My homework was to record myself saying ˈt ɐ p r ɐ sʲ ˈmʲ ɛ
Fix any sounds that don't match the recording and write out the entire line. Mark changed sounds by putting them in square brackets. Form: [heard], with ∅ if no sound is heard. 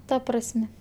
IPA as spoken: ˈt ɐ p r ɐ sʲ ˈmʲ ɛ